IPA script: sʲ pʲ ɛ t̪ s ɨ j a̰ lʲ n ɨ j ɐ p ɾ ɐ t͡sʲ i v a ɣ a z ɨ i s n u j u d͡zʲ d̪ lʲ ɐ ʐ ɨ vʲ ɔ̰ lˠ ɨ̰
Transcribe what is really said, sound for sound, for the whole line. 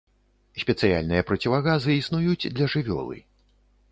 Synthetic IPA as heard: sʲ pʲ ɛ t̪ s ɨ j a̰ lʲ n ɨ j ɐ p ɾ ɐ t͡sʲ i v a ɣ a z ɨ i s n u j u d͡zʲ d̪ lʲ ɐ ʐ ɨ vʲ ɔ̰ lˠ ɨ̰